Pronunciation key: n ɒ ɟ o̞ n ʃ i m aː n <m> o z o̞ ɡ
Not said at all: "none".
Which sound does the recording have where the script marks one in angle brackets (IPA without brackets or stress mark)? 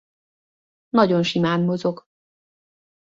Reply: m